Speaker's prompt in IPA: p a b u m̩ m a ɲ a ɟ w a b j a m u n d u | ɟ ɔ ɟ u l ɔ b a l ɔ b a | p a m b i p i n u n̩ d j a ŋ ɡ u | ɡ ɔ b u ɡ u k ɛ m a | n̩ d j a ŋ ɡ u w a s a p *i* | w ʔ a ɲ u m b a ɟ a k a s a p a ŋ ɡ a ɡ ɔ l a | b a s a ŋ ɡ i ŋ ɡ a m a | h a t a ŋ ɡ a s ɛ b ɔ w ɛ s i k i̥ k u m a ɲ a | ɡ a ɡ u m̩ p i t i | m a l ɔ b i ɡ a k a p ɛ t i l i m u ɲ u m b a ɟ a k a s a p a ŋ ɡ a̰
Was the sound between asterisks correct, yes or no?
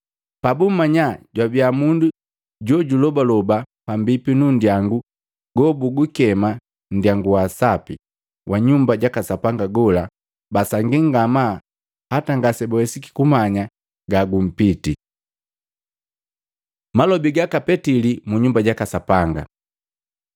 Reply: yes